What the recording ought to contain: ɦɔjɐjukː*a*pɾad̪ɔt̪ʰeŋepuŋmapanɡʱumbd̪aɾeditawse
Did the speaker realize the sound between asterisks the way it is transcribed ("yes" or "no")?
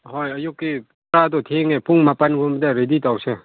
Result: no